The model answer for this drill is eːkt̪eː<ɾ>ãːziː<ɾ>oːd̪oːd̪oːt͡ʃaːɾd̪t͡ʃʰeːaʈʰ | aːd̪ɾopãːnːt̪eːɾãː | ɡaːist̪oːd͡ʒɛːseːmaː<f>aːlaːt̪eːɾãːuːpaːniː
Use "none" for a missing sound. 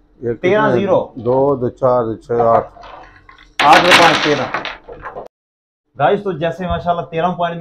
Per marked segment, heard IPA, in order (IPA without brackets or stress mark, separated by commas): ɾ, ɾ, ʃ